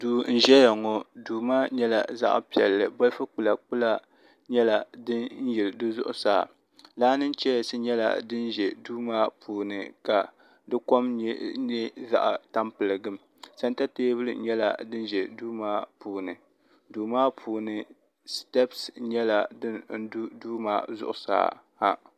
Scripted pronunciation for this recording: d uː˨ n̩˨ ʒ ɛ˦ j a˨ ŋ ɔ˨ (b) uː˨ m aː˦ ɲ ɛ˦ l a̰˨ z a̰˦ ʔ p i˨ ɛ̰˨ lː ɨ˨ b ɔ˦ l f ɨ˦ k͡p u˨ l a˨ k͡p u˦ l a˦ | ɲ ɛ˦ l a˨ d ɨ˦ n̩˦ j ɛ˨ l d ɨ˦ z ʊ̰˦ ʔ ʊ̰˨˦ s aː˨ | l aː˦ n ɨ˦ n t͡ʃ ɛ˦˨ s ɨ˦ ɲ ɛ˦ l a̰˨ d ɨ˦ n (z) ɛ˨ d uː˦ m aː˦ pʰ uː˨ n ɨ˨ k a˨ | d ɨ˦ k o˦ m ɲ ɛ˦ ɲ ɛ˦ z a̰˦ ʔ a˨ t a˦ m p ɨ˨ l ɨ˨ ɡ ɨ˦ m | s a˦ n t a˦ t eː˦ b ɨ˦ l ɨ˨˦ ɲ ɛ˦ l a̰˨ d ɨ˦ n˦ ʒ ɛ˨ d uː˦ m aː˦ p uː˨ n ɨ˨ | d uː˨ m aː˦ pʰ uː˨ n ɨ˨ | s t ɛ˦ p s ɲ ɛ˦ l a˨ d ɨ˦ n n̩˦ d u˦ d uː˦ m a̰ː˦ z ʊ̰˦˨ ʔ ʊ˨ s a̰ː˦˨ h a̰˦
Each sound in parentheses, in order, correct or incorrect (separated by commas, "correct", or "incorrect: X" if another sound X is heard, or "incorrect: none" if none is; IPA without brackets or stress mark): incorrect: d, incorrect: ʒ